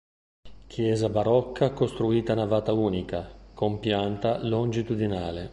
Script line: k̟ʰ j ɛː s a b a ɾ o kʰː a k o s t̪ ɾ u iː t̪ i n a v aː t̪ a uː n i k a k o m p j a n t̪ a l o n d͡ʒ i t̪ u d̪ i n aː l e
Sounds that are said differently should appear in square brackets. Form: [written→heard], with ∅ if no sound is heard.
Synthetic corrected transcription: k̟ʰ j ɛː [s→z] a b a ɾ [o→ɔ] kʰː a k o s t̪ ɾ u iː t̪ [i→a] n a v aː t̪ a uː n i k a k o m p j a n t̪ a l o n d͡ʒ i t̪ u d̪ i n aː l e